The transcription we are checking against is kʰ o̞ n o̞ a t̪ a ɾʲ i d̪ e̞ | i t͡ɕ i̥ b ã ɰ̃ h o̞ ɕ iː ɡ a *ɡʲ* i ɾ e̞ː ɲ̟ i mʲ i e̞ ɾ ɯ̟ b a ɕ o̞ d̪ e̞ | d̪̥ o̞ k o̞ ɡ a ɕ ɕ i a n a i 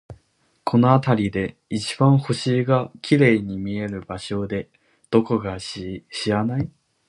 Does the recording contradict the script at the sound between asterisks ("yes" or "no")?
yes